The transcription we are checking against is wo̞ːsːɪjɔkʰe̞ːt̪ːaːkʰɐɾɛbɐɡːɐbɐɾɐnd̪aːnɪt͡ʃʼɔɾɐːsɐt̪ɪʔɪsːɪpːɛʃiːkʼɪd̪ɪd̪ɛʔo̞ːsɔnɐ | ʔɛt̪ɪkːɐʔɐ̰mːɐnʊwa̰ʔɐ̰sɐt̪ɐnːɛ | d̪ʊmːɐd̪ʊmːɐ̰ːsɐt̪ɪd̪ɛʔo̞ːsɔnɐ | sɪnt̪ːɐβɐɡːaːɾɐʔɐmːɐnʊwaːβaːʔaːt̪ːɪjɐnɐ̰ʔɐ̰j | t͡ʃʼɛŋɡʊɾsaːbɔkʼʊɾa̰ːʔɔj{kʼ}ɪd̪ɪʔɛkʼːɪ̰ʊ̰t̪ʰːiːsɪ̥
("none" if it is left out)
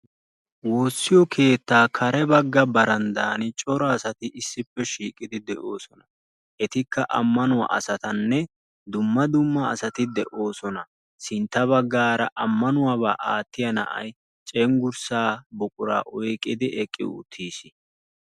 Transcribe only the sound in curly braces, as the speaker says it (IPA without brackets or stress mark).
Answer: kʼ